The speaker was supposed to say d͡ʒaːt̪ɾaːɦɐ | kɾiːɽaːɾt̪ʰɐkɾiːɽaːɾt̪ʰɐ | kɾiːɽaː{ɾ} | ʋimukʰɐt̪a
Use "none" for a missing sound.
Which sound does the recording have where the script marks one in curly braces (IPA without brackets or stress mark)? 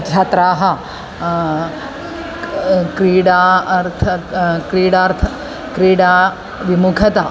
none